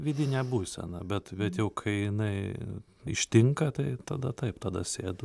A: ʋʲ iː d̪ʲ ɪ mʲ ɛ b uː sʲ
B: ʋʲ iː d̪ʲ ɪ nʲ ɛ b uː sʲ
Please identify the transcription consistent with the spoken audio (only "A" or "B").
B